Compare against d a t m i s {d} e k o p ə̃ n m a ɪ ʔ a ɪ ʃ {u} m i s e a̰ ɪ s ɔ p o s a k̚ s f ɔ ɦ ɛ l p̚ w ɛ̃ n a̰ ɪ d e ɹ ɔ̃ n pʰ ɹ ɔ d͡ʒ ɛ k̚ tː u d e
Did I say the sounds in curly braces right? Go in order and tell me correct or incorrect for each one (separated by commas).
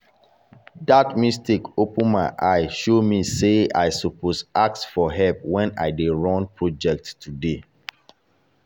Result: incorrect, incorrect